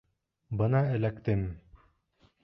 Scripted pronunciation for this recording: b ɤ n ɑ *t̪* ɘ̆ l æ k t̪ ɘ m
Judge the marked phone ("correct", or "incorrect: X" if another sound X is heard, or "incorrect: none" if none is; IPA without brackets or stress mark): incorrect: none